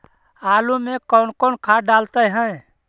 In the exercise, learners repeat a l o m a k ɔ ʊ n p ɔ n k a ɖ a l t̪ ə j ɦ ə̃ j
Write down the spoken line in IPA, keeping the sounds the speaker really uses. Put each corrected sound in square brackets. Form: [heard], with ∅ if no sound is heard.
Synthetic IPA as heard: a l [u] m [e] k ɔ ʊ n [k] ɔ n [kʰ] a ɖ a l t̪ ə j ɦ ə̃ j